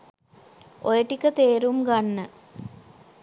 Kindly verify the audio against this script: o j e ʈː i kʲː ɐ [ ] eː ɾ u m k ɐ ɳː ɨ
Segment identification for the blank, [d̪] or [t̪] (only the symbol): t̪